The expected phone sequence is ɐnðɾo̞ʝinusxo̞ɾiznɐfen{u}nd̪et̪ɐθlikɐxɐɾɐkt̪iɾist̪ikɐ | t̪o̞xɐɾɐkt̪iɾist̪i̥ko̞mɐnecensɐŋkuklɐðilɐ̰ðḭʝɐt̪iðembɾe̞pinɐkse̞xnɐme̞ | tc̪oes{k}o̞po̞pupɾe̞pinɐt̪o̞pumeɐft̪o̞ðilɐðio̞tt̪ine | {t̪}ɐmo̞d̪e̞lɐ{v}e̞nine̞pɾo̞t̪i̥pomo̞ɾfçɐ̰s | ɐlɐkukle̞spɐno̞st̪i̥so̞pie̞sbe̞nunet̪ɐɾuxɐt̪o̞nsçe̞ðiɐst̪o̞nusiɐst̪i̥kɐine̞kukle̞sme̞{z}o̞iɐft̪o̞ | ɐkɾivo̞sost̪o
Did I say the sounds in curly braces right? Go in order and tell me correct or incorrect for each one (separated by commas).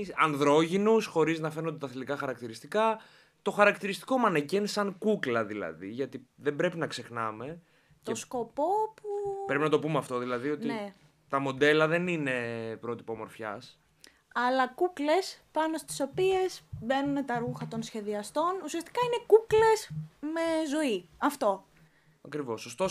incorrect, correct, correct, incorrect, correct